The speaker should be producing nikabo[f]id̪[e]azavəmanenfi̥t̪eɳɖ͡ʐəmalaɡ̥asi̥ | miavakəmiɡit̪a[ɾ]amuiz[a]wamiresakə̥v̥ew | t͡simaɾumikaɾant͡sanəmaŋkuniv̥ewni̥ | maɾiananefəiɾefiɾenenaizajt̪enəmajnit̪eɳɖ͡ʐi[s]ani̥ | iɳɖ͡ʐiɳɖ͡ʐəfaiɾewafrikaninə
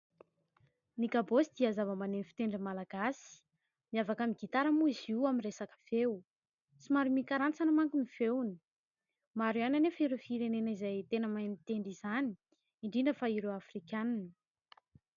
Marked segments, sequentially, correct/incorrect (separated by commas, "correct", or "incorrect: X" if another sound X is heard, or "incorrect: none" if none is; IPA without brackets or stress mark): incorrect: s, incorrect: i, correct, incorrect: i, incorrect: z